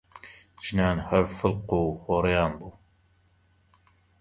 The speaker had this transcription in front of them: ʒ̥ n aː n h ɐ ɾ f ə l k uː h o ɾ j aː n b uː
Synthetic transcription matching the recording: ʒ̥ n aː n h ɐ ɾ f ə l q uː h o ɾ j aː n b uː